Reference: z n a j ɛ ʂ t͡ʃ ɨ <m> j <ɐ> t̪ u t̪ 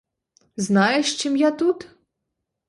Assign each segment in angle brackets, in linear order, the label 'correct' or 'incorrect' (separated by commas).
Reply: correct, incorrect